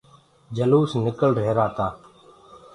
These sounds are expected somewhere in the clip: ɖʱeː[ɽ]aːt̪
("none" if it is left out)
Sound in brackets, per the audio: ɾ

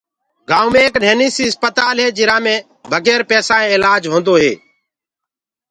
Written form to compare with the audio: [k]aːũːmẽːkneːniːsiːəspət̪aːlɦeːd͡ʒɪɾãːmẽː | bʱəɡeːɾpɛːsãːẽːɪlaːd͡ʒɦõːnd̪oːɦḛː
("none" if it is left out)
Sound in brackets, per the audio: ɡ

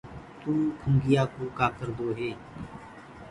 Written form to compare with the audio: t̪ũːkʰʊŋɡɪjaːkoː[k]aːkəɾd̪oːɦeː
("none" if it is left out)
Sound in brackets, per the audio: k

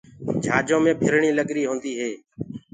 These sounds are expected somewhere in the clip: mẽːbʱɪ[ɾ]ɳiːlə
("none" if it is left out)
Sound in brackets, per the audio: ɾ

